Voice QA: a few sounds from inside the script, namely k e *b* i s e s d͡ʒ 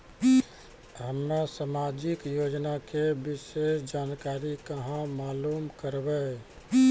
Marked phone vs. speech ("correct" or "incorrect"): correct